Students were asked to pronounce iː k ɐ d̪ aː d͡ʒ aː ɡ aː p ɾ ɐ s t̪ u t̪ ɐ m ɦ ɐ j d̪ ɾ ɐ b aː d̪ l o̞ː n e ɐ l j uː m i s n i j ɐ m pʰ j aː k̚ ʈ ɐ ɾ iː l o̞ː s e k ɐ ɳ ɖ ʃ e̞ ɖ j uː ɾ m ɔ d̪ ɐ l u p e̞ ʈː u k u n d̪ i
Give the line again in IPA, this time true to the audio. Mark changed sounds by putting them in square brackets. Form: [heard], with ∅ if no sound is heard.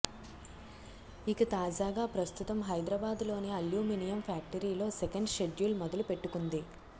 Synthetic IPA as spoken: [i] k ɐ [t̪] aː d͡ʒ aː ɡ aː p ɾ ɐ s t̪ u t̪ ɐ m ɦ ɐ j d̪ ɾ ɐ b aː d̪ l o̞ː n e ɐ l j uː m i [∅] n i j ɐ m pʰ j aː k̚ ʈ ɐ ɾ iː l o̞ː s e k ɐ ɳ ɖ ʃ e̞ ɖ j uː [l] m ɔ d̪ ɐ l u p e̞ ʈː u k u n d̪ i

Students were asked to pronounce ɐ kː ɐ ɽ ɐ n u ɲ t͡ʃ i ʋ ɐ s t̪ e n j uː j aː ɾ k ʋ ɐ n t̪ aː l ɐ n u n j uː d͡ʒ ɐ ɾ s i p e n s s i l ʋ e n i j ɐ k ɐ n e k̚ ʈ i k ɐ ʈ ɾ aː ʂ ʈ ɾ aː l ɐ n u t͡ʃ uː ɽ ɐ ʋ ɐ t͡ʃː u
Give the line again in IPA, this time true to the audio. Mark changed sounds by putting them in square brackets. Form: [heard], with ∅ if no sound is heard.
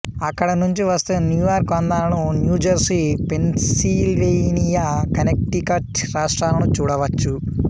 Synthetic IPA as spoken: ɐ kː ɐ ɽ ɐ n u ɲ t͡ʃ i ʋ ɐ s t̪ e n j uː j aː ɾ k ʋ ɐ n [d̪] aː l ɐ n u n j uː d͡ʒ ɐ ɾ s i p e n s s i l ʋ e n i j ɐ k ɐ n e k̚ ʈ i k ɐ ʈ ɾ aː ʂ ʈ ɾ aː l ɐ n u t͡ʃ uː ɽ ɐ ʋ ɐ t͡ʃː u

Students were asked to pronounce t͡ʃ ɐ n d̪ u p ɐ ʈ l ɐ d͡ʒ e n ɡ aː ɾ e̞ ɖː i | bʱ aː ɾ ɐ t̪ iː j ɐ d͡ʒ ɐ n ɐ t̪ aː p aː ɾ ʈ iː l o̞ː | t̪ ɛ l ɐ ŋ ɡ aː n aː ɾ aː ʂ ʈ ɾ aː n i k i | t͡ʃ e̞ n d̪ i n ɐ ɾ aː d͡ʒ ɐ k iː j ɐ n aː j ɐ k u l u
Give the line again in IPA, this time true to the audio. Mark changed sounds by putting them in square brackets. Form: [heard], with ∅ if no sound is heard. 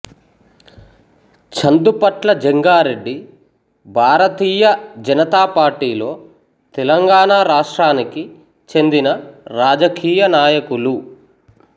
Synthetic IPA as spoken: t͡ʃ ɐ n d̪ u p ɐ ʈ l ɐ d͡ʒ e [ŋ] ɡ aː ɾ e̞ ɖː i | bʱ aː ɾ ɐ t̪ iː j ɐ d͡ʒ ɐ n ɐ t̪ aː p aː ɾ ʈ iː l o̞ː | t̪ ɛ l ɐ ŋ ɡ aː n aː ɾ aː ʂ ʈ ɾ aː n i k i | t͡ʃ e̞ n d̪ i n ɐ ɾ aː d͡ʒ ɐ k iː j ɐ n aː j ɐ k u l u

